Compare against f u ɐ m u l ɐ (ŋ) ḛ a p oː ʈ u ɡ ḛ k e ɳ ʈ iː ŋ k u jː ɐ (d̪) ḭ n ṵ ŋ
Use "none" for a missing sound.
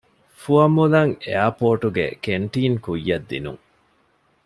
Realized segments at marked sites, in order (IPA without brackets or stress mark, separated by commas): ŋ, d̪ː